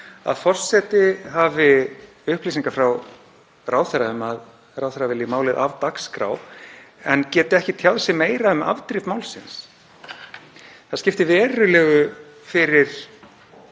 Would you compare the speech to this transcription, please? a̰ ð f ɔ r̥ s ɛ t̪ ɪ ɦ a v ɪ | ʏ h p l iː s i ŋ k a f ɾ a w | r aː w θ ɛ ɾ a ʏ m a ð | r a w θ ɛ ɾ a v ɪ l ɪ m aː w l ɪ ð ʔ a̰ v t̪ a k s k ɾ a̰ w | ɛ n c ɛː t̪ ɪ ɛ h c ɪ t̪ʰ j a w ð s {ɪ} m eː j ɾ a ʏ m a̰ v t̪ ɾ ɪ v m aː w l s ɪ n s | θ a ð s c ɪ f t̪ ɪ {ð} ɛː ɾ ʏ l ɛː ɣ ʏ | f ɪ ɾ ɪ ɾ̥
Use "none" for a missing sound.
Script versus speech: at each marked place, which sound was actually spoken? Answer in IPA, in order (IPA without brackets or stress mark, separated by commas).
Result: ɪ, v